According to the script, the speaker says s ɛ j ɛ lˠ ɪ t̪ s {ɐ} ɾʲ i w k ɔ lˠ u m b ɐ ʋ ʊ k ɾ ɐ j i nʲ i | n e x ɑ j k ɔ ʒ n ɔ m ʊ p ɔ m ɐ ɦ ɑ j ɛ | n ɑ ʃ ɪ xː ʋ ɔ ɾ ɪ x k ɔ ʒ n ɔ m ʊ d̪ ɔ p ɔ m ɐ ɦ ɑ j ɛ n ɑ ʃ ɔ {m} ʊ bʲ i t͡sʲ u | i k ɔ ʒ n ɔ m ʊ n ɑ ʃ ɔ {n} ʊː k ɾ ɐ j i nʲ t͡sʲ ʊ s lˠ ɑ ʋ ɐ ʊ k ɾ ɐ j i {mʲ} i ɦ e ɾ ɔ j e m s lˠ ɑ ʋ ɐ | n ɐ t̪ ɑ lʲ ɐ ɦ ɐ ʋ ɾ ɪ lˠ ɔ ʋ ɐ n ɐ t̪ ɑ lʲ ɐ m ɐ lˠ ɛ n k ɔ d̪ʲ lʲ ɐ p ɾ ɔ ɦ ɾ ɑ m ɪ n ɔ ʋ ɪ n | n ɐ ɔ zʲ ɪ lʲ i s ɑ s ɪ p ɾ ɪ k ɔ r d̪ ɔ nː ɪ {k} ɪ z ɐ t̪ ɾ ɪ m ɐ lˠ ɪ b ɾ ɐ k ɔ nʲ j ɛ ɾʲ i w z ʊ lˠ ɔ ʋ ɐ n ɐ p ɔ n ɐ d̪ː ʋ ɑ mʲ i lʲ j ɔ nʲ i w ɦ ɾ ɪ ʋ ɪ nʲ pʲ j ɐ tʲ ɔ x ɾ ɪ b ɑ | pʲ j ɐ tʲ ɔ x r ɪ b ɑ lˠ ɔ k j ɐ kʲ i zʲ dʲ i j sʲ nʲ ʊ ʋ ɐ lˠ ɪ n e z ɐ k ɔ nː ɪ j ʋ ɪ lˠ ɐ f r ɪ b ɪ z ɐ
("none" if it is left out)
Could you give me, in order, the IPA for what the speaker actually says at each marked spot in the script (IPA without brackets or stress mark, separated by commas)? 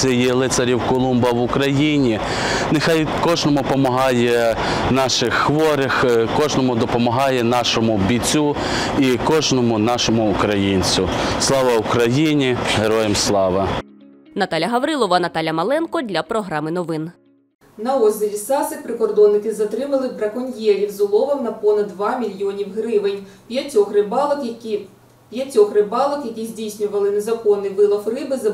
ɐ, m, m, nʲ, k